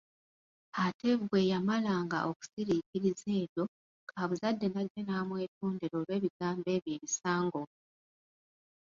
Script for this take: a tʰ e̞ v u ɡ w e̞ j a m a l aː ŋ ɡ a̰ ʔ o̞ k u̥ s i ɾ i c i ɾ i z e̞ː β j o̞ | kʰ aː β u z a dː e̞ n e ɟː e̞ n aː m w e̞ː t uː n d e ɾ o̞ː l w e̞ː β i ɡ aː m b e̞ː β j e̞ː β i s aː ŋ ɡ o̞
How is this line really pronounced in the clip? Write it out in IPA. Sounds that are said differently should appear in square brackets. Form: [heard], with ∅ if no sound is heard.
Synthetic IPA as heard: a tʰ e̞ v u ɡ w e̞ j a m a l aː ŋ ɡ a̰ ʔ o̞ k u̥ s i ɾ i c i ɾ i z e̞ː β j o̞ | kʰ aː β u z a dː e̞ n [a] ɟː e̞ n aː m w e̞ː t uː n d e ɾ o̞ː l w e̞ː β i ɡ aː m b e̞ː β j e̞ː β i s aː ŋ ɡ o̞